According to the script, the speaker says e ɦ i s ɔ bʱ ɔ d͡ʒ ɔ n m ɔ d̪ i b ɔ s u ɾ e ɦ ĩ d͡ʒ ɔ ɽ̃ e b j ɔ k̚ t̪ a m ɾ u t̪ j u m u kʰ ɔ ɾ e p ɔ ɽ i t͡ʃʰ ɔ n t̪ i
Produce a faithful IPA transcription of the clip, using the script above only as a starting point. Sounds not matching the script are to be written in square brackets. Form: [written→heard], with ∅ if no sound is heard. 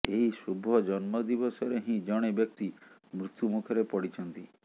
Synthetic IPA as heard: e ɦ i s [ɔ→u] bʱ ɔ d͡ʒ ɔ n m ɔ d̪ i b ɔ s [u→ɔ] ɾ e ɦ ĩ d͡ʒ ɔ ɽ̃ e b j ɔ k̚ t̪ [a→i] m ɾ u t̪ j u m u kʰ ɔ ɾ e p ɔ ɽ i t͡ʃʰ ɔ n t̪ i